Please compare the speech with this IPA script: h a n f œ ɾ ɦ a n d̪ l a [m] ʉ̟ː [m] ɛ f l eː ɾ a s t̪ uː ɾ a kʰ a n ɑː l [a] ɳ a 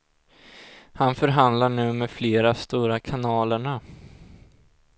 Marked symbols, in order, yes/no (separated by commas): no, yes, no